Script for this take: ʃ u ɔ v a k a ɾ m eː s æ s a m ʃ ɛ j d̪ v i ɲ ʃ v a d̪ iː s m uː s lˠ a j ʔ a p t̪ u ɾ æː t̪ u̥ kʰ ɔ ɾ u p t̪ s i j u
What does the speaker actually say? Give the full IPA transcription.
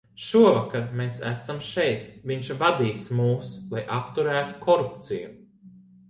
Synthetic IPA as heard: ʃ u ɔ v a k a ɾ m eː s æ s a m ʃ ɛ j t̪ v i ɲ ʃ v a d̪ iː s m uː s lˠ a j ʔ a p t̪ u ɾ æː t̪ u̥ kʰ ɔ ɾ u p t̪ s i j u